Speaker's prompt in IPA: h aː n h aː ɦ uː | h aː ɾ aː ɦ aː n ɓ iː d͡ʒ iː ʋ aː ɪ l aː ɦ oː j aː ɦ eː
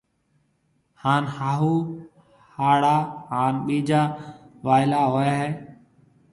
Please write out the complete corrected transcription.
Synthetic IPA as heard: h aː n h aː ɦ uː | h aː ɽ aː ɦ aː n ɓ iː d͡ʒ aː ʋ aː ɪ l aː ɦ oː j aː ɦ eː